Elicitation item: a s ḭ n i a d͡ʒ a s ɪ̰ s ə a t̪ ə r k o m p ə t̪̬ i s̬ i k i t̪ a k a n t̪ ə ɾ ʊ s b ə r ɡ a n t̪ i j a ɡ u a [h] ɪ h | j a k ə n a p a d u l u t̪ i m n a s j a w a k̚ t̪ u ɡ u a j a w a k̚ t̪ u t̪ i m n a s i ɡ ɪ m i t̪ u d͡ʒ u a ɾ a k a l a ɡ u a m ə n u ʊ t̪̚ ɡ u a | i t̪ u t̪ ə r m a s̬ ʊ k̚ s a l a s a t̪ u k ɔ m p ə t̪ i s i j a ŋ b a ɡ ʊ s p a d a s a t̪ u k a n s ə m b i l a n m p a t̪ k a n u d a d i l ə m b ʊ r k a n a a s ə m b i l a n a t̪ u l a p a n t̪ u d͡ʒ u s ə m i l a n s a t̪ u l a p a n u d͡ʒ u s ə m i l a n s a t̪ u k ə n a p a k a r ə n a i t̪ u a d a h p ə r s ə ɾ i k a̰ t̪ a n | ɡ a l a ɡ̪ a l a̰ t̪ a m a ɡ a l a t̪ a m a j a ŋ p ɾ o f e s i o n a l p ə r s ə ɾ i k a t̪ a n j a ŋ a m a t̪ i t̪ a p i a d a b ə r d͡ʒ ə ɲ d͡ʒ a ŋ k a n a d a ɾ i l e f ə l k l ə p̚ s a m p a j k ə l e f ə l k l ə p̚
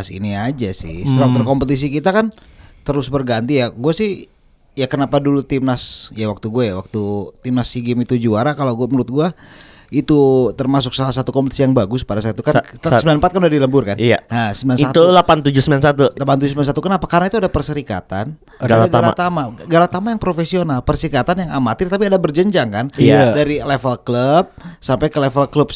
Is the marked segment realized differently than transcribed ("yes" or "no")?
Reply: yes